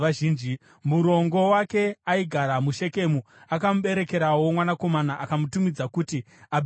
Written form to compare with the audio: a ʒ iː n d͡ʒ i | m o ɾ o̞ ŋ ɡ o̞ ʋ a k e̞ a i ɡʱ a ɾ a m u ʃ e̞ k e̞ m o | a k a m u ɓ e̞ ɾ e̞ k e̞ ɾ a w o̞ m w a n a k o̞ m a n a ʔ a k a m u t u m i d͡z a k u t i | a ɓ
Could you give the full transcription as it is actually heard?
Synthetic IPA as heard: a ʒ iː n d͡ʒ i | m u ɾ o̞ ŋ ɡ o̞ w a k e̞ a i ɡʱ a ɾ a m u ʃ e̞ k e̞ m u | a k a m u ɓ e̞ ɾ e̞ k e̞ ɾ a w o̞ m w a n a k o̞ m a n a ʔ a k a m u t u m i d͡z a k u t i | a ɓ